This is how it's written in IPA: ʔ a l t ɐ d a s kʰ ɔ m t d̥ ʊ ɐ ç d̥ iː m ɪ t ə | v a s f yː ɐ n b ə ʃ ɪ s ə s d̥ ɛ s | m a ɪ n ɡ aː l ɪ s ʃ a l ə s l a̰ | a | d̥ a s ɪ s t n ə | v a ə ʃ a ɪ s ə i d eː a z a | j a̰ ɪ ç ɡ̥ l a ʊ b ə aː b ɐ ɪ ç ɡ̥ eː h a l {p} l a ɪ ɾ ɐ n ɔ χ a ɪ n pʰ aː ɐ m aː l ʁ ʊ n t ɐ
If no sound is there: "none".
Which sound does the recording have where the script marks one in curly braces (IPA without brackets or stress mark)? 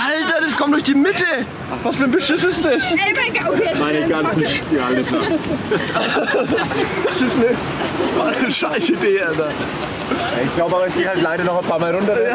t